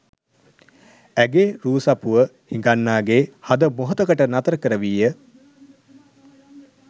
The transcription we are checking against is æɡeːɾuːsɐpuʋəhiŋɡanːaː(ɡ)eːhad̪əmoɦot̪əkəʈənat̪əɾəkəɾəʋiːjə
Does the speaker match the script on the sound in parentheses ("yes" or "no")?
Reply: yes